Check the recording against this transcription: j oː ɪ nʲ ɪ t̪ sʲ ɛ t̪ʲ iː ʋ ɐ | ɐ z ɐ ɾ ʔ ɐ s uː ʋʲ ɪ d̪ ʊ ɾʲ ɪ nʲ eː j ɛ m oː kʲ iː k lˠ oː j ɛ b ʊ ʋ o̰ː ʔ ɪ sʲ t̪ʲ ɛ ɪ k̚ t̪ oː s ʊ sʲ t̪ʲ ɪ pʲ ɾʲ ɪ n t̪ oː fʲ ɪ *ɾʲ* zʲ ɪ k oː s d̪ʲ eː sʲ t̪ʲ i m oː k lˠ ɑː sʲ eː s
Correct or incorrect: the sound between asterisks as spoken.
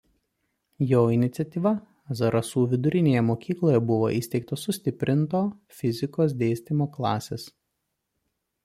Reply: incorrect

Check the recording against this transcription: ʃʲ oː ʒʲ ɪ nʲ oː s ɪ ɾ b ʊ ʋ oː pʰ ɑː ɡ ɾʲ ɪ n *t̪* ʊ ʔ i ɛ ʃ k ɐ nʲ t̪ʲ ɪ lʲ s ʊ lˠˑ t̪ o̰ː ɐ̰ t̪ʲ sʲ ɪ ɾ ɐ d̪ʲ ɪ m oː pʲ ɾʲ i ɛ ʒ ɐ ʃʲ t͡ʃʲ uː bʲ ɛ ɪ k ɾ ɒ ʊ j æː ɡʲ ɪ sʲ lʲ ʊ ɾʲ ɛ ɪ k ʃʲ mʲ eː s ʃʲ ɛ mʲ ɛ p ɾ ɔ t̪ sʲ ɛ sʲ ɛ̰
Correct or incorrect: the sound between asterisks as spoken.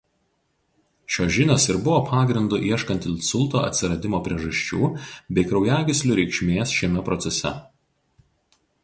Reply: incorrect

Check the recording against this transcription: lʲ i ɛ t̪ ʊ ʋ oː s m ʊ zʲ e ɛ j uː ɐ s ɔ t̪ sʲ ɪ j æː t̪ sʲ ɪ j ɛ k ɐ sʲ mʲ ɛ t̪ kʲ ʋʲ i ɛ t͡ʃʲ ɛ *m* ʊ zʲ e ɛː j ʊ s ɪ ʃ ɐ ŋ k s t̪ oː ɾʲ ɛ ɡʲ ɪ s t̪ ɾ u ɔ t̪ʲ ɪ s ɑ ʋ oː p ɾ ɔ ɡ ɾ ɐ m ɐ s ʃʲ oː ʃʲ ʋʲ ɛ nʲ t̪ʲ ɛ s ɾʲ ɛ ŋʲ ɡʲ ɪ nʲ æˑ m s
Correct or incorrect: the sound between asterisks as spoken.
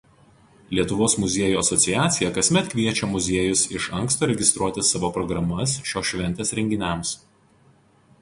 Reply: correct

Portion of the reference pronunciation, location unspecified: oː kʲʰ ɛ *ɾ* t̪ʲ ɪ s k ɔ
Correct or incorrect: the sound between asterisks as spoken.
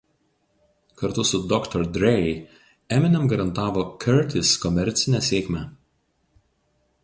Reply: correct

